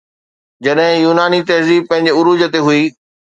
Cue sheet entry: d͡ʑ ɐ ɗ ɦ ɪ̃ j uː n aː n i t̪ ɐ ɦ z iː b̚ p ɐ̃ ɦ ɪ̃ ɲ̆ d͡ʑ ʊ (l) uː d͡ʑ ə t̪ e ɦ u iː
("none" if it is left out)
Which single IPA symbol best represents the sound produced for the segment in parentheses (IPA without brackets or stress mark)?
ɾ